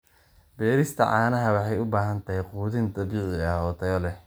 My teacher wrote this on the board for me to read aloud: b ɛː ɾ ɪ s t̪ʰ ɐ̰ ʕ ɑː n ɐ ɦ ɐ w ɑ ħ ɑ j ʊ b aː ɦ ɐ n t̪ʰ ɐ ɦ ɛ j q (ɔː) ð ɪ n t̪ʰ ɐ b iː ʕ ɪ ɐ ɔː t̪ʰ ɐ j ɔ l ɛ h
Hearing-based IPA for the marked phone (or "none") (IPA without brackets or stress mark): uː